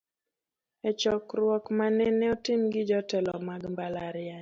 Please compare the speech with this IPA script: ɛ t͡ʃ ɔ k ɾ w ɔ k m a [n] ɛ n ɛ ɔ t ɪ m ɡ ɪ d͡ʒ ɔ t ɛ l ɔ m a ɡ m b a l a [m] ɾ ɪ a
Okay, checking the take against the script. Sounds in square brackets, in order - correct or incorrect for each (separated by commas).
correct, incorrect